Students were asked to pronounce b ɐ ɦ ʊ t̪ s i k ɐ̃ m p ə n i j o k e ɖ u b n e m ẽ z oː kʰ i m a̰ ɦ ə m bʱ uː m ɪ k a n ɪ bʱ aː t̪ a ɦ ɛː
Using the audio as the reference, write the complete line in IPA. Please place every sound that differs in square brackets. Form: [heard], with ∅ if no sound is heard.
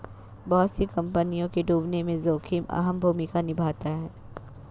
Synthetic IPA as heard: b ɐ ɦ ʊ t̪ s i k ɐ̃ m p ə n i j [õ] k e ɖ [uː] b n e m ẽ z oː kʰ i m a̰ ɦ ə m bʱ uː m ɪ k a n ɪ bʱ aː t̪ a ɦ ɛː